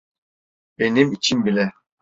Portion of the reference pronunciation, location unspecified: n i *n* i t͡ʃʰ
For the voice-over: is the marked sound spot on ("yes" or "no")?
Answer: no